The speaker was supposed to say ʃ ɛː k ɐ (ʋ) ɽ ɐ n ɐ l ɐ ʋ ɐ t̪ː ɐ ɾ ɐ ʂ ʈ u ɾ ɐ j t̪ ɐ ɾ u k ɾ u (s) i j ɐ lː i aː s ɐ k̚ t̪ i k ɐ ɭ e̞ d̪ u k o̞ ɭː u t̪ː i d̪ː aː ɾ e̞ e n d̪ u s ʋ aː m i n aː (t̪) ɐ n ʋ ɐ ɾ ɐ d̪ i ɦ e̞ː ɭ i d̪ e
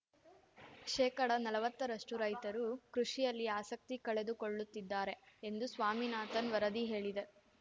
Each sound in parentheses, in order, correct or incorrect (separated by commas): incorrect, incorrect, correct